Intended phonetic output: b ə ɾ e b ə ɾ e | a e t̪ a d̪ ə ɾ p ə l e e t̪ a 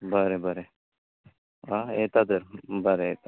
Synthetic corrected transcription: b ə ɾ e b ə ɾ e | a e t̪ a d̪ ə ɾ b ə ɾ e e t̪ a